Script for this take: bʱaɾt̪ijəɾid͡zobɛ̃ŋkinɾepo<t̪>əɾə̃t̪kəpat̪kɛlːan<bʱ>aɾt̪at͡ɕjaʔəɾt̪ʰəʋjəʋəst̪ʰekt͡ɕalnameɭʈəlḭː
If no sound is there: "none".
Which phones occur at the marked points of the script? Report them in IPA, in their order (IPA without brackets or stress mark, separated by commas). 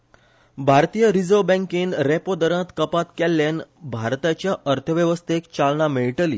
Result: d̪, bʱ